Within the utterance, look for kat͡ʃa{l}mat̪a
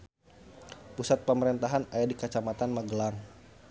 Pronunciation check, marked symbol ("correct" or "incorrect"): incorrect